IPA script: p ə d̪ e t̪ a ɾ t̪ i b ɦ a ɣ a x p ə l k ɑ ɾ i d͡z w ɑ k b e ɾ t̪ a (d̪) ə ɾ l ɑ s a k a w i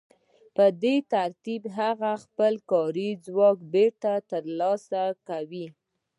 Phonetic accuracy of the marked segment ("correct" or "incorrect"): incorrect